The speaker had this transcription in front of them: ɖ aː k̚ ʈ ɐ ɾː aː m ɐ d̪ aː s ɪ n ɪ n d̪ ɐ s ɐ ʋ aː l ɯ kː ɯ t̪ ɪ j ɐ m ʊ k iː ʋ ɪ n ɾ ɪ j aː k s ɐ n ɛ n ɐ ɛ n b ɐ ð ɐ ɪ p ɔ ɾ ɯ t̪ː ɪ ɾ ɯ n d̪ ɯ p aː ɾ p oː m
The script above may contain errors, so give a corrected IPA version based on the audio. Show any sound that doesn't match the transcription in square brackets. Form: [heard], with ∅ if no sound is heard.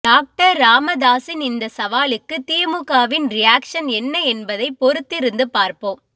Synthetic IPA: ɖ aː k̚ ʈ ɐ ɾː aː m ɐ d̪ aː s ɪ n ɪ n d̪ ɐ s ɐ ʋ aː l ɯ kː ɯ t̪ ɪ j ɐ m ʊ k [aː] ʋ ɪ n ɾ ɪ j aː k [ʂ] ɐ n ɛ [nː] ɐ ɛ n b ɐ ð ɐ ɪ p ɔ ɾ ɯ t̪ː ɪ ɾ ɯ n d̪ ɯ p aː ɾ p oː m

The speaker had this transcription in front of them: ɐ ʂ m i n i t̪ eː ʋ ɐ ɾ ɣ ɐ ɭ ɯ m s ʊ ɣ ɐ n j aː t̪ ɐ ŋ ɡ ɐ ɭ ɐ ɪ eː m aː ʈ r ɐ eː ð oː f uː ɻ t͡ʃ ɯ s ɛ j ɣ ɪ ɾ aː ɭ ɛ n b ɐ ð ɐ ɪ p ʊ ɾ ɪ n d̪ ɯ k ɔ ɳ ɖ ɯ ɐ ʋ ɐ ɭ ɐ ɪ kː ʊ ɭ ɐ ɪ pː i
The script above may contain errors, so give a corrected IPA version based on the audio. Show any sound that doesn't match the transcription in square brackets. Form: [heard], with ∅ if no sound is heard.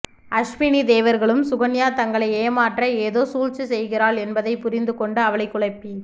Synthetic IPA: ɐ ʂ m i n i [d̪] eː ʋ ɐ ɾ ɣ ɐ ɭ ɯ m s ʊ ɣ ɐ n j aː t̪ ɐ ŋ ɡ ɐ ɭ ɐ ɪ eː m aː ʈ r ɐ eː ð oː [s] uː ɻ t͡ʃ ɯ s ɛ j ɣ ɪ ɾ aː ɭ ɛ n b ɐ ð ɐ ɪ p ʊ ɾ ɪ n d̪ ɯ k ɔ ɳ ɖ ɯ ɐ ʋ ɐ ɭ ɐ ɪ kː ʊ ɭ ɐ ɪ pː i

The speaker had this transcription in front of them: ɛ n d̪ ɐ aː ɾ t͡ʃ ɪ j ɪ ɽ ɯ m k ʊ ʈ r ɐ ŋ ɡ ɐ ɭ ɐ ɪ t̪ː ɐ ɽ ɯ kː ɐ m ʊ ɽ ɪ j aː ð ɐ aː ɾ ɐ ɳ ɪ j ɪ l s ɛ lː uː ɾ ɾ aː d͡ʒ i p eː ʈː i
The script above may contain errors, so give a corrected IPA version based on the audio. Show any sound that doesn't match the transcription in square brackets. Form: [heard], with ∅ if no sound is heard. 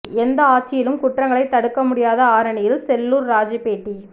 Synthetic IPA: ɛ n d̪ ɐ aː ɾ t͡ʃ ɪ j ɪ [l] ɯ m k ʊ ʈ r ɐ ŋ ɡ ɐ ɭ ɐ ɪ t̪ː ɐ ɽ ɯ kː ɐ m ʊ ɽ ɪ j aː ð ɐ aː ɾ ɐ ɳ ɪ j ɪ l s ɛ lː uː ɾ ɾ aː d͡ʒ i p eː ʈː i

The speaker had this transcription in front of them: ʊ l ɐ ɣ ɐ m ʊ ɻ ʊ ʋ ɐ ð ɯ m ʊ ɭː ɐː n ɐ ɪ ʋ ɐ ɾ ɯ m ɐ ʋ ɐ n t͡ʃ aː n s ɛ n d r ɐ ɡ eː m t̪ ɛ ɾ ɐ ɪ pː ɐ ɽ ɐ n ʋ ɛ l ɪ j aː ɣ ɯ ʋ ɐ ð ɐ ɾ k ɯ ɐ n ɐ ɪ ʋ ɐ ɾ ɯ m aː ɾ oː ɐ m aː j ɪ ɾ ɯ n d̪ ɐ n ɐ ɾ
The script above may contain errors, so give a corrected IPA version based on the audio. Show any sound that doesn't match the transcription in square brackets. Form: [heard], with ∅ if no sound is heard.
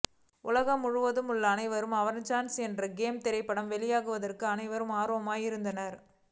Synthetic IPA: ʊ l ɐ ɣ ɐ m ʊ ɻ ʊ ʋ ɐ ð ɯ m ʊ ɭː ɐː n ɐ ɪ ʋ ɐ ɾ ɯ m ɐ ʋ ɐ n t͡ʃ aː n s ɛ n d r ɐ ɡ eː m t̪ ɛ ɾ ɐ ɪ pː ɐ ɽ ɐ [m] ʋ ɛ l ɪ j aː ɣ ɯ ʋ ɐ ð ɐ [r] k ɯ ɐ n ɐ ɪ ʋ ɐ ɾ ɯ m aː ɾ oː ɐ m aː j ɪ ɾ ɯ n d̪ ɐ n ɐ ɾ

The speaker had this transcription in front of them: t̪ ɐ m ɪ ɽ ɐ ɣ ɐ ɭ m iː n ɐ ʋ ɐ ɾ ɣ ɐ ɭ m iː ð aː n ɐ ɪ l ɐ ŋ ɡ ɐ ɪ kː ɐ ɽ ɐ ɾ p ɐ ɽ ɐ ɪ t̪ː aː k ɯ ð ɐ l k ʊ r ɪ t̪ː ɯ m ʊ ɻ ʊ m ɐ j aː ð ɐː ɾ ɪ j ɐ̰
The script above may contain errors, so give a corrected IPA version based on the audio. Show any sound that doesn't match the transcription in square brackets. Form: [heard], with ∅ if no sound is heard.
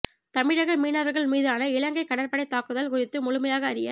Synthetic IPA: t̪ ɐ m ɪ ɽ ɐ ɣ ɐ ɭ m iː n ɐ ʋ ɐ ɾ ɣ ɐ ɭ m iː ð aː n ɐ ɪ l ɐ ŋ ɡ ɐ ɪ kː ɐ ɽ ɐ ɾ p ɐ ɽ ɐ ɪ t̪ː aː k ɯ ð ɐ l k ʊ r ɪ t̪ː ɯ m ʊ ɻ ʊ m ɐ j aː [ɣ] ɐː ɾ ɪ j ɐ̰

